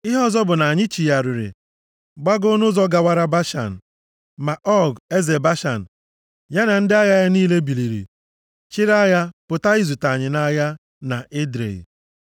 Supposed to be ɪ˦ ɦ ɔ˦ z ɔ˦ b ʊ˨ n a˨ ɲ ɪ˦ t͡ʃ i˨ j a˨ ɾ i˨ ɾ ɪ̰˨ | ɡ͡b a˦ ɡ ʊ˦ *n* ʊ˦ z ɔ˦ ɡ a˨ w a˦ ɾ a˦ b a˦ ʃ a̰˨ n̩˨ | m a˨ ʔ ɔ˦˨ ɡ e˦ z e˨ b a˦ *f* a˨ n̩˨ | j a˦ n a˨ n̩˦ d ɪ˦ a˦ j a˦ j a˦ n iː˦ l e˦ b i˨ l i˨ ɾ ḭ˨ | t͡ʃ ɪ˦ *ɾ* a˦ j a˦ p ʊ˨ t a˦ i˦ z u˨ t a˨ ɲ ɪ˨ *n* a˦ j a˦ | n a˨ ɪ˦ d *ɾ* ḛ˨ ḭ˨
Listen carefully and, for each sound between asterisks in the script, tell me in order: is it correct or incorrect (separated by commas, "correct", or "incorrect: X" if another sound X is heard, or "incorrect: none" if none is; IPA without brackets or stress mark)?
correct, incorrect: ʃ, correct, correct, correct